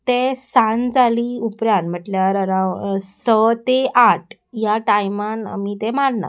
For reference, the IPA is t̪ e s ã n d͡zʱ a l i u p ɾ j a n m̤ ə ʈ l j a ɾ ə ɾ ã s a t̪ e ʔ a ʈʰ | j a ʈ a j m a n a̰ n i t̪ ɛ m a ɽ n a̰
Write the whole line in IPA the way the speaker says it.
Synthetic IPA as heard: t̪ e s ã n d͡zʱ a l i u p ɾ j a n m̤ ə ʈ l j a ɾ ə ɾ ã s ə t̪ e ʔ a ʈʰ | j a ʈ a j m a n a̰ m i t̪ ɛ m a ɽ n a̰